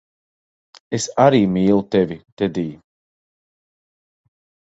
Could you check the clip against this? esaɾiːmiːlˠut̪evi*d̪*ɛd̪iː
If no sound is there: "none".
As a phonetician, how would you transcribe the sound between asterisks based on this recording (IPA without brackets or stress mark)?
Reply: t̪